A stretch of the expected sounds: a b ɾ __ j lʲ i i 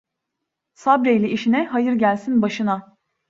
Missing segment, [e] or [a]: e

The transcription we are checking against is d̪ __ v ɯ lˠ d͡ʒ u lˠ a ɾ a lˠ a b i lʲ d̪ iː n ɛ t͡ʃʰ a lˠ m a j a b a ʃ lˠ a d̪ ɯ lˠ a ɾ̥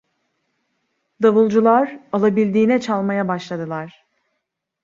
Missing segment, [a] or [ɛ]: a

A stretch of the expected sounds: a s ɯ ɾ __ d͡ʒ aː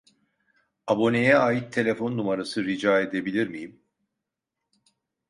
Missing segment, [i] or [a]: i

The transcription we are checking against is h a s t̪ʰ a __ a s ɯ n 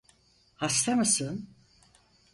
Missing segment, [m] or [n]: m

